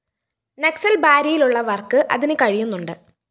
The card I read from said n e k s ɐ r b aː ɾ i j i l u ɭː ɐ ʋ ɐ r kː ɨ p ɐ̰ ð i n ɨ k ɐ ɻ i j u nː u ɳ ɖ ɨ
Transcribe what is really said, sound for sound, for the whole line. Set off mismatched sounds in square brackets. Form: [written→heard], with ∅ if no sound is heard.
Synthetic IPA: n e k s ɐ [r→l] b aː ɾ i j i l u ɭː ɐ ʋ ɐ r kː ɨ [p→ʔ] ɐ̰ ð i n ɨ k ɐ ɻ i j u nː u ɳ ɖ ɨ